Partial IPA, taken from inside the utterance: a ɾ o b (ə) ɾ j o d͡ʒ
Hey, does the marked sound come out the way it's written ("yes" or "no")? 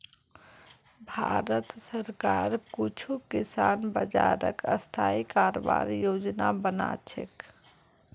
no